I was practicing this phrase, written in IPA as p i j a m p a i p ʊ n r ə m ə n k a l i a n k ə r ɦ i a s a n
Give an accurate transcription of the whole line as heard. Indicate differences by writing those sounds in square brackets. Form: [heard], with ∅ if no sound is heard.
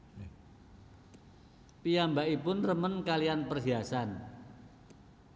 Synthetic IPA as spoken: p i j a m [b] a i p ʊ n r ə m ə n k a l i a n [p] ə r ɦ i a s a n